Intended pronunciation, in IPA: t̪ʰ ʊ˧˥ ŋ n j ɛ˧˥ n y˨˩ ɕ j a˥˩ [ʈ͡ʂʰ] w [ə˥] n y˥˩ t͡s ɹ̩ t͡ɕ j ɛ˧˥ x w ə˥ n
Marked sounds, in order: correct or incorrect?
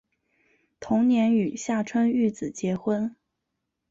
correct, correct

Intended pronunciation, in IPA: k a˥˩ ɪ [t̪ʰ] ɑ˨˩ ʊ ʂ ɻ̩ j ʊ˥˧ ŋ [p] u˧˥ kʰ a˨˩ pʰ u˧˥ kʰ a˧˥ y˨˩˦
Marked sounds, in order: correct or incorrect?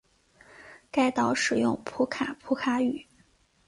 incorrect, incorrect

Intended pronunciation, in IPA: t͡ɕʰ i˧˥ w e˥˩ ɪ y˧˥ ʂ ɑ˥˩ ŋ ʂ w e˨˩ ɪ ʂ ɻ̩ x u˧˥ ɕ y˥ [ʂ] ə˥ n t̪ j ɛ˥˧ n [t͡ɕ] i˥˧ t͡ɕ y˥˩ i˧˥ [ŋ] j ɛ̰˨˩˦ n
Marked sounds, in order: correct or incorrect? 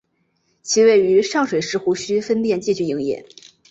incorrect, correct, correct

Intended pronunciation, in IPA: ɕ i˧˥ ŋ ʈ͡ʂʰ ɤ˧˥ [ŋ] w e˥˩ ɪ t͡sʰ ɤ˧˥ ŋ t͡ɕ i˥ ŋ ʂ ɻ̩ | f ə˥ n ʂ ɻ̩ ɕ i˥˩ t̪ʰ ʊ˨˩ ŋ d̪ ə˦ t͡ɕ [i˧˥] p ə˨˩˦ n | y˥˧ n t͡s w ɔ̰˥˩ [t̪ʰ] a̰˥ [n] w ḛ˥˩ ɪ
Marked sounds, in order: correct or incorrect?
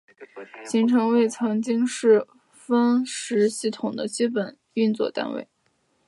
correct, incorrect, incorrect, correct

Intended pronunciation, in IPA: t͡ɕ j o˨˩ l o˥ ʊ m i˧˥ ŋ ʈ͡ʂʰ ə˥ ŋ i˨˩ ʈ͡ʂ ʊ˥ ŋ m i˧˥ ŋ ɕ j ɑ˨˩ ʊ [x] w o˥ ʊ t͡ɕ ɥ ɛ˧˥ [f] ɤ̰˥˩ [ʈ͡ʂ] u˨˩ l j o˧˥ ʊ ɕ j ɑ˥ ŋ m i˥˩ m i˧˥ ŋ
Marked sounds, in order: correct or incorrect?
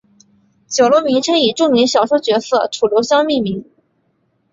incorrect, incorrect, incorrect

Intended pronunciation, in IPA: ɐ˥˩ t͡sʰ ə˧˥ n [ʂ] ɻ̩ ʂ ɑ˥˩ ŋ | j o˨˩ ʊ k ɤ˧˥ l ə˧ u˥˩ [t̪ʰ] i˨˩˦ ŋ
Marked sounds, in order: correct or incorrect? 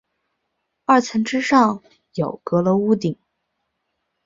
incorrect, incorrect

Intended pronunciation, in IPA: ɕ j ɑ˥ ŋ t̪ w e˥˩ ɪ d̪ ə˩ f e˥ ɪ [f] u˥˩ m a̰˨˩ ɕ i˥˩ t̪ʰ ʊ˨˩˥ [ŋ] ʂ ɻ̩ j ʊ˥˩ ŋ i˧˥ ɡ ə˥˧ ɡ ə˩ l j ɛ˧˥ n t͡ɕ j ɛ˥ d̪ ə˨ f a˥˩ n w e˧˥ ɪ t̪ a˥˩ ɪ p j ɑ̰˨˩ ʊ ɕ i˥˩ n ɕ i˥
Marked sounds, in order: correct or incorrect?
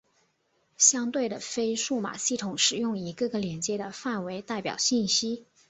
incorrect, correct

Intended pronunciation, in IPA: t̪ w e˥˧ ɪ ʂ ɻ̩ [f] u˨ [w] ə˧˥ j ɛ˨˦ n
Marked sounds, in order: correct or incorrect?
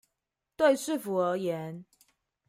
correct, incorrect

